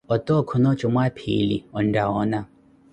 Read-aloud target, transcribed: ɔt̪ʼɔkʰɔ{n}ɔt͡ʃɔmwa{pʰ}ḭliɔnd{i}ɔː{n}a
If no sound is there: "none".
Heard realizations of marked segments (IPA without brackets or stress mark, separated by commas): n, pʰ, a, n